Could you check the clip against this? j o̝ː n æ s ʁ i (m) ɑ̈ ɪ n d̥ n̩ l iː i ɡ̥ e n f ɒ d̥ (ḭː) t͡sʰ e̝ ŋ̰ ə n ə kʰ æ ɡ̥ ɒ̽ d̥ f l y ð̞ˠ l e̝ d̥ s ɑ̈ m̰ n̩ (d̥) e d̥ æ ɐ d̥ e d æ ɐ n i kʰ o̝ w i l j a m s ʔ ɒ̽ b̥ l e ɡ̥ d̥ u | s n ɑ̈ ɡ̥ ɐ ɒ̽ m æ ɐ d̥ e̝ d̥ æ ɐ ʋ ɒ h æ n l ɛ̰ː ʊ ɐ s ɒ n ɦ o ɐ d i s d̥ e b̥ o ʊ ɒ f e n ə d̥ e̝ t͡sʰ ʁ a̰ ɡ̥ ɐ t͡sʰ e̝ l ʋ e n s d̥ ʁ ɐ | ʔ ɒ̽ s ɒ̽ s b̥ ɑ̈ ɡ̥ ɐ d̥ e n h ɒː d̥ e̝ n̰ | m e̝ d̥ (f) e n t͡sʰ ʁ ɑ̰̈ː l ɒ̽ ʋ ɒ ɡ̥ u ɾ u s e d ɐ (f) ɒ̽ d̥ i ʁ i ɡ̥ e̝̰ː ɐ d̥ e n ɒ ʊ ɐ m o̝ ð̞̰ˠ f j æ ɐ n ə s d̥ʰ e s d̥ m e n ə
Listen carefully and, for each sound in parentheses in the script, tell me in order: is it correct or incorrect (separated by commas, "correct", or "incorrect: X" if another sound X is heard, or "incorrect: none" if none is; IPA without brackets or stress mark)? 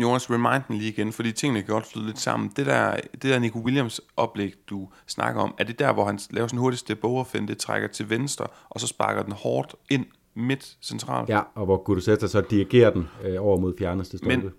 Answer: correct, correct, correct, incorrect: s, incorrect: s